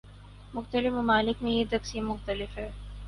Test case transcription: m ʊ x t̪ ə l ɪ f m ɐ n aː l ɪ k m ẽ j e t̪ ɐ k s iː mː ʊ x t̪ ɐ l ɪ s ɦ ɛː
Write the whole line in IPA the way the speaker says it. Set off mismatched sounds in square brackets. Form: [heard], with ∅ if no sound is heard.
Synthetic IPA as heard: m ʊ x t̪ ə l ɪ f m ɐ [m] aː l ɪ k m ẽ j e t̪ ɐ k s iː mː ʊ x t̪ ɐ l ɪ [f] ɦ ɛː